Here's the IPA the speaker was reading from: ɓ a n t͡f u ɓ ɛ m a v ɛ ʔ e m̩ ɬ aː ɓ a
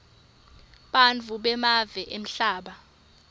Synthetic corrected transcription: ɓ a n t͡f u ɓ ɛ m a v ɛ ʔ e m̩ ɬ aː ɓ a